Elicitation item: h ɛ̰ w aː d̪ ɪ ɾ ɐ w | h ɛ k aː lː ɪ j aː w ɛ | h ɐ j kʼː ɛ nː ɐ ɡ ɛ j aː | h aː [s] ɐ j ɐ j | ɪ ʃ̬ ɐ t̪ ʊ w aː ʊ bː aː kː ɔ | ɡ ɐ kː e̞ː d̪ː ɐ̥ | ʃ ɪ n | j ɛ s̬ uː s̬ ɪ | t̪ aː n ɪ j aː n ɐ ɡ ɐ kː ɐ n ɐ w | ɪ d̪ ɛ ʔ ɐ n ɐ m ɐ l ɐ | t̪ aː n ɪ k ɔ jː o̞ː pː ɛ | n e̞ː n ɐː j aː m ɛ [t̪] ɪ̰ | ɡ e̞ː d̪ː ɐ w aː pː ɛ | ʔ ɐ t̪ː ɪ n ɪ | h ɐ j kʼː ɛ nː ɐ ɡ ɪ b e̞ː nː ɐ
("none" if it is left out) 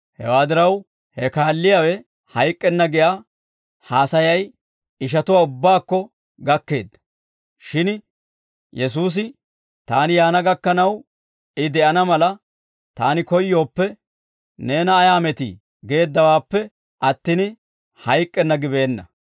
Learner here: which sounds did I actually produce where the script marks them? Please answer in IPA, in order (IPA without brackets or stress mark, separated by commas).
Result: s, t̪